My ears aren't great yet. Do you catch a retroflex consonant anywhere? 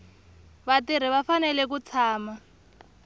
no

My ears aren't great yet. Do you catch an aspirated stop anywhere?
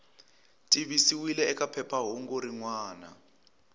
yes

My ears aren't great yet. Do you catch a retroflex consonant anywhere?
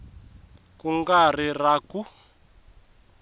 no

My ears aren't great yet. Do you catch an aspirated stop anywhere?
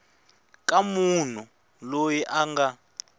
no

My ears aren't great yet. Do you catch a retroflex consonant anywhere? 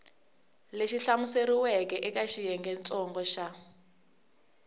no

